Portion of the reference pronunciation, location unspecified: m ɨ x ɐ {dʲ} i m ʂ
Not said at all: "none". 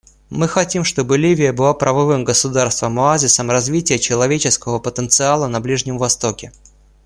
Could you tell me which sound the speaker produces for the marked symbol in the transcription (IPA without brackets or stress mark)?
tʲ